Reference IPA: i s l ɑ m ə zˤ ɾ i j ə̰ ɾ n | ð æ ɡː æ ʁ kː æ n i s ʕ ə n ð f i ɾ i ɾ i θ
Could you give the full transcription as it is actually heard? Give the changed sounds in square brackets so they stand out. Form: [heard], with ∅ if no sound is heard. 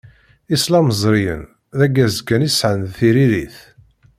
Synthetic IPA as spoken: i s l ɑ m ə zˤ ɾ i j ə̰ [∅] n | ð æ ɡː æ [z] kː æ n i s ʕ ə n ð [θ] i ɾ i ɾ i θ